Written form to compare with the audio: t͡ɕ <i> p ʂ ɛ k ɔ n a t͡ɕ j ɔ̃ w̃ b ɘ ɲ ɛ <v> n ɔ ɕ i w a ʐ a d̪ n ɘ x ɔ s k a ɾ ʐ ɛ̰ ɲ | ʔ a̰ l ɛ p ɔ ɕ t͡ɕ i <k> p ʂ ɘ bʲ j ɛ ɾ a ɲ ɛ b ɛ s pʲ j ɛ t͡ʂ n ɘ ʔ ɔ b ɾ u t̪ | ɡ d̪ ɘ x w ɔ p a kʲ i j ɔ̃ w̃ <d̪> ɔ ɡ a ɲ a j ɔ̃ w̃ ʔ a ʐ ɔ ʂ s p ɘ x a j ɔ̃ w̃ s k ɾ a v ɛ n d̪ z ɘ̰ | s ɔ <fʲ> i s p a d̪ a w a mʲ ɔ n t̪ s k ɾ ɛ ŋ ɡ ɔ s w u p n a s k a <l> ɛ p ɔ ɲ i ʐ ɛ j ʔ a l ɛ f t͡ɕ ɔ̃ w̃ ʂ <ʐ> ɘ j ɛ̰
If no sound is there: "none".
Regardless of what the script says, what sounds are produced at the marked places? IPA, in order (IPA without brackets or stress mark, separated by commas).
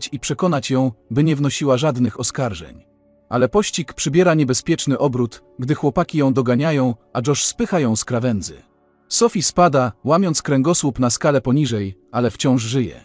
i, v, k, d̪, fʲ, l, ʐ